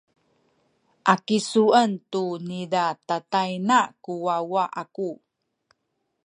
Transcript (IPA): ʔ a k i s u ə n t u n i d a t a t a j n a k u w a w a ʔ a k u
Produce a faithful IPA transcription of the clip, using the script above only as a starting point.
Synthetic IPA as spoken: ʔ a k i s u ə n t u n i d a t a t a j n a k u w a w a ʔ a k u